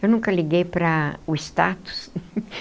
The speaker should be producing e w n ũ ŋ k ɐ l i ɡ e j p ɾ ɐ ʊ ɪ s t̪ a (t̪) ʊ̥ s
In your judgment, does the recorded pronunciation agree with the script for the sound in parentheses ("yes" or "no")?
yes